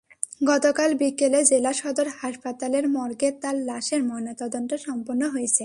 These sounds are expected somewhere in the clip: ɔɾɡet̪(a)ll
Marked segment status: correct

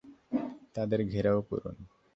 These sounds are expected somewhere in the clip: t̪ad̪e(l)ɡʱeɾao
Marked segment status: incorrect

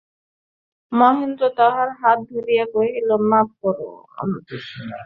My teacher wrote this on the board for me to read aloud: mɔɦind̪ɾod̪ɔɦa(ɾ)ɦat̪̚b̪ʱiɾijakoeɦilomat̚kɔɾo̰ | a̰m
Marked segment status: correct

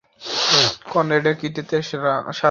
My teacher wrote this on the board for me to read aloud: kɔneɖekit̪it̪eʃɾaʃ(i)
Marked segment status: incorrect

